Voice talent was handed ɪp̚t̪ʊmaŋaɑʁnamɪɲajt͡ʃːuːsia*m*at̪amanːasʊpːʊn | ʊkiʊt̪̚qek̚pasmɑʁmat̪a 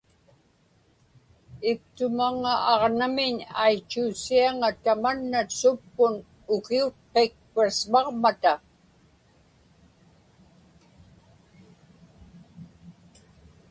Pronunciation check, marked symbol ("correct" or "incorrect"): incorrect